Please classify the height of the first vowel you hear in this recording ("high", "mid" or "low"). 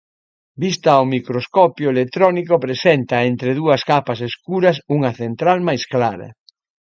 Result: high